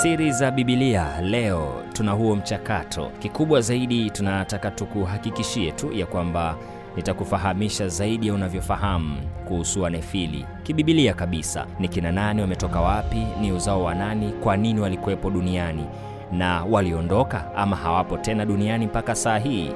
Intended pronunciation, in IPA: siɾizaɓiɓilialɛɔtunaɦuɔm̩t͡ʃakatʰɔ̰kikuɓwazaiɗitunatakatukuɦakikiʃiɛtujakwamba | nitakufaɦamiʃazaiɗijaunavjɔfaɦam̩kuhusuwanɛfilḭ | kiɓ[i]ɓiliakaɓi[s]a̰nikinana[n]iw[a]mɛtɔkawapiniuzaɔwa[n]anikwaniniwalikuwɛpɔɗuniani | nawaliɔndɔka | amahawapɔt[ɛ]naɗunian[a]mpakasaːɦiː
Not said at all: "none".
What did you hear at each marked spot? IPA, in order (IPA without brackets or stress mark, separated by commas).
i, s, n, a, n, ɛ, i